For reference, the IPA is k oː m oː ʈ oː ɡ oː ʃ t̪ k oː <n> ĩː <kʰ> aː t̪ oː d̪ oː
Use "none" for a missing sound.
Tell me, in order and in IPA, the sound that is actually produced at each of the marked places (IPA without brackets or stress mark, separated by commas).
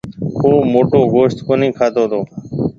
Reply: n, kʰ